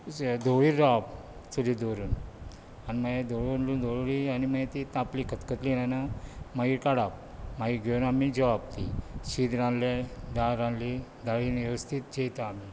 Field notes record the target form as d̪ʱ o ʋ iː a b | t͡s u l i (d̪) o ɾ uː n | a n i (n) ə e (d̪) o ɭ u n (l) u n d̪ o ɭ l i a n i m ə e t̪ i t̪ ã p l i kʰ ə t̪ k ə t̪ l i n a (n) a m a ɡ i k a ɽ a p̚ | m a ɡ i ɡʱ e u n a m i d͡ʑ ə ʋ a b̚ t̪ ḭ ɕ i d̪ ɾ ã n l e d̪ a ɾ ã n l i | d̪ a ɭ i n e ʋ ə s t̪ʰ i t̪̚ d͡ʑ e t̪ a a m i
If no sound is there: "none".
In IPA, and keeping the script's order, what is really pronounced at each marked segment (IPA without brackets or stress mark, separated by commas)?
d̪, m, d̪, l, n